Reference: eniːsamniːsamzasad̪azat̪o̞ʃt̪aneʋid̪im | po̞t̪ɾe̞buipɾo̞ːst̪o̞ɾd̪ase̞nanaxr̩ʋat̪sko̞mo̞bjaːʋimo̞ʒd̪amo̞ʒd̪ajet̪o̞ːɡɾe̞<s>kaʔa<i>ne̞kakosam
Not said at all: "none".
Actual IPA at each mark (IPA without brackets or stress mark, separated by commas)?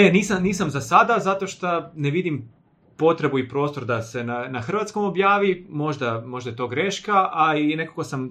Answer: ʃ, i